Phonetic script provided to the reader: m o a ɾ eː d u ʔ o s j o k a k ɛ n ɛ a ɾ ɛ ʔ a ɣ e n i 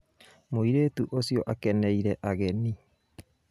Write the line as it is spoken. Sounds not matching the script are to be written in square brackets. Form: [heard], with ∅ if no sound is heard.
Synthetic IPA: m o [i] ɾ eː [t] u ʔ o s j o [ʔ] a k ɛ n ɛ [i] ɾ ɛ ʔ a ɣ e n i